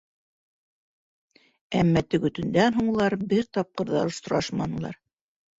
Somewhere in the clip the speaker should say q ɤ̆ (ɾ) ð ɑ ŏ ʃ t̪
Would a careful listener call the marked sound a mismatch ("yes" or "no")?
no